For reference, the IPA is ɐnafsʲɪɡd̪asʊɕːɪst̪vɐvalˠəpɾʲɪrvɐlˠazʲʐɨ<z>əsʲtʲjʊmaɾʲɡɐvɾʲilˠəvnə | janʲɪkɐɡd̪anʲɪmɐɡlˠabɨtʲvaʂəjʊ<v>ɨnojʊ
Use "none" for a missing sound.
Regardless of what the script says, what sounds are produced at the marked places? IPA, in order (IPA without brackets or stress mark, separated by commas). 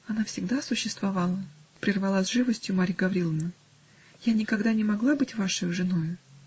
v, ʐ